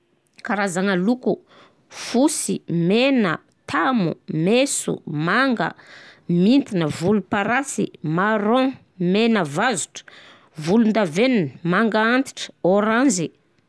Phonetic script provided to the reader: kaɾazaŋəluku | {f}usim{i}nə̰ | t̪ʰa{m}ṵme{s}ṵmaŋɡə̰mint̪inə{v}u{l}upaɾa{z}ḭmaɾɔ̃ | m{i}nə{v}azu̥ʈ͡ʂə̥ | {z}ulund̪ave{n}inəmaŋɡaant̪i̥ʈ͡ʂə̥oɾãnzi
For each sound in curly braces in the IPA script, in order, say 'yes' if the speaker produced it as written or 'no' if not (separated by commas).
yes, no, yes, yes, yes, yes, no, no, yes, no, yes